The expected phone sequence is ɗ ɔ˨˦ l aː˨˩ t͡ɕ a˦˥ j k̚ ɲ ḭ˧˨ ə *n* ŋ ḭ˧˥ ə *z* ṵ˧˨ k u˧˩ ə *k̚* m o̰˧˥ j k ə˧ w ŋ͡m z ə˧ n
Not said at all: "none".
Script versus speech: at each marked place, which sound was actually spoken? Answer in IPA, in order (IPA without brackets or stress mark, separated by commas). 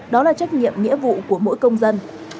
m, v, none